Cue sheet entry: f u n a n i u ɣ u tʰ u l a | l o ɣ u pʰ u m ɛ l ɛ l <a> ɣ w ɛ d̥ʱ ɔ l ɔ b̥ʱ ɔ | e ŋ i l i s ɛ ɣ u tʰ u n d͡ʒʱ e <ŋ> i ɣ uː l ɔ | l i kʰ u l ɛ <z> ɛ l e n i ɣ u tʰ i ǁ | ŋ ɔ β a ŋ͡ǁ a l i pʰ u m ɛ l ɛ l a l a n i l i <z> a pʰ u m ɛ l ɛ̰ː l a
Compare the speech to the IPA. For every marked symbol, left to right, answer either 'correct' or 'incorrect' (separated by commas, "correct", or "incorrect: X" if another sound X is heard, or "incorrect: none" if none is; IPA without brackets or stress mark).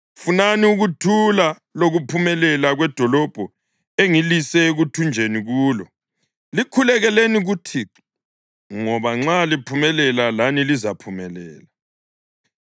correct, incorrect: n, incorrect: ɣ, correct